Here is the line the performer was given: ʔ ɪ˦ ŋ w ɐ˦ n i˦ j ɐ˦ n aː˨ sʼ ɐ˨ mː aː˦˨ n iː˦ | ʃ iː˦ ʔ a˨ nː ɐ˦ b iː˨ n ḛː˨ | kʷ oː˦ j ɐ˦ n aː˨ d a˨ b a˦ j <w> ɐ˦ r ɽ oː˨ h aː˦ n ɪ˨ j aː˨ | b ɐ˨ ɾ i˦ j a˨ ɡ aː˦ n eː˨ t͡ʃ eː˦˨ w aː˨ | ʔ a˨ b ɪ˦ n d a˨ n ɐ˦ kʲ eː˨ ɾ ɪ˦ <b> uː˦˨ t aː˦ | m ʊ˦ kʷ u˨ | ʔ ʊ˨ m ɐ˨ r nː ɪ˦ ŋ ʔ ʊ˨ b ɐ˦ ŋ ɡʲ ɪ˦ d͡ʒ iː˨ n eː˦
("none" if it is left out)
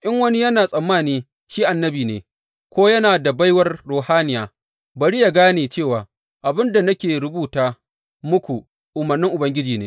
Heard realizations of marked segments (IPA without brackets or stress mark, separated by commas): w, b